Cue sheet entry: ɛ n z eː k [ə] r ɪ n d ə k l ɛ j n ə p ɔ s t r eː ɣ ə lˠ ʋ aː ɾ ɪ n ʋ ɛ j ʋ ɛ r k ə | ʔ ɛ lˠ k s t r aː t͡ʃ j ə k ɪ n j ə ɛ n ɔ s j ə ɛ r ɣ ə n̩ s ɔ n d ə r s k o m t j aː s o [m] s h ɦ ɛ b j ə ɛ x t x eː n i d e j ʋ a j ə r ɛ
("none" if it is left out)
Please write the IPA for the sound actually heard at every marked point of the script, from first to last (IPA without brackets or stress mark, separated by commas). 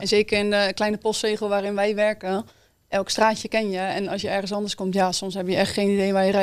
ə, m